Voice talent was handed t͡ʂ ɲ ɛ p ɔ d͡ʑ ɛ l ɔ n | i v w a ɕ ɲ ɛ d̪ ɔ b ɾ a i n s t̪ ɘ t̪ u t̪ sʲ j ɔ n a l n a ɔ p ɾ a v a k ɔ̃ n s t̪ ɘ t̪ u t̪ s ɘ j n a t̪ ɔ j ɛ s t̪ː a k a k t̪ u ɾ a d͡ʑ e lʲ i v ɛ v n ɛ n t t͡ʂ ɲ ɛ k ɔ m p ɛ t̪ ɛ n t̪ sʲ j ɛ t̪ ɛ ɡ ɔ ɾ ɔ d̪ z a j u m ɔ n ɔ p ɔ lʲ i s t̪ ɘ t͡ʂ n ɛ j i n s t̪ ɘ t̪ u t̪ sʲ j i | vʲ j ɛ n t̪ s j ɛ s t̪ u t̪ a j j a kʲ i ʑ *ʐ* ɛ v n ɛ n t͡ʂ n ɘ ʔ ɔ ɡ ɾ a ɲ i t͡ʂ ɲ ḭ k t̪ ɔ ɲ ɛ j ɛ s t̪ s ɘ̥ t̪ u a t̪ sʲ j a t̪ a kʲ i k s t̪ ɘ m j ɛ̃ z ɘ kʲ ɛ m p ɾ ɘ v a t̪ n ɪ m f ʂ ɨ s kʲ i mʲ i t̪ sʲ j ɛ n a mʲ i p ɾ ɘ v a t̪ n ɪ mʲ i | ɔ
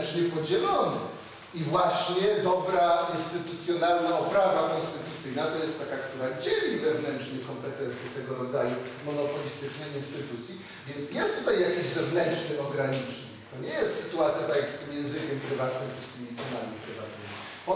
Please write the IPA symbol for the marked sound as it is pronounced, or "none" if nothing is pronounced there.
z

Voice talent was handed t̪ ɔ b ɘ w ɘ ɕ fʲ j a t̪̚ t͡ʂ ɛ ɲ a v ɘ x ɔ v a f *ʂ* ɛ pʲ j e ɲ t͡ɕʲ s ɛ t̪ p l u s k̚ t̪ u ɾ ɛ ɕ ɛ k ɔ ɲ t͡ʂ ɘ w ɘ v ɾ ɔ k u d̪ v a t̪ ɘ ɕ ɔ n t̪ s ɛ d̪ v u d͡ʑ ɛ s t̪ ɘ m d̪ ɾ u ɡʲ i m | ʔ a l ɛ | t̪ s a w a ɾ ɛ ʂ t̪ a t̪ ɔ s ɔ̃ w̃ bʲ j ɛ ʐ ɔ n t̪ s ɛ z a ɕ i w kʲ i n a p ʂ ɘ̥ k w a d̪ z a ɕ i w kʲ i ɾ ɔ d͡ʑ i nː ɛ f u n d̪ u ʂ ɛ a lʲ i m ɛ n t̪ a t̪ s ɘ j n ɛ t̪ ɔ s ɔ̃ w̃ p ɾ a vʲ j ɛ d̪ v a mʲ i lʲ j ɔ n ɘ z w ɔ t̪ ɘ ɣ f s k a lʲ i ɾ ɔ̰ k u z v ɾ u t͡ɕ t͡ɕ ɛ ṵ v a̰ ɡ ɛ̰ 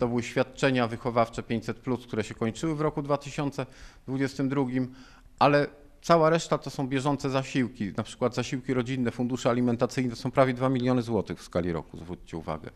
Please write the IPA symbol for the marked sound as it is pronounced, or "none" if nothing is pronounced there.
t͡ʂ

